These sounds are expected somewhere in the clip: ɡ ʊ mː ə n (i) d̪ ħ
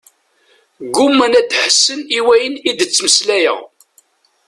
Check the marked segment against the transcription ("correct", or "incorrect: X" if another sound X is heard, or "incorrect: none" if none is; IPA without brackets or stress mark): incorrect: æ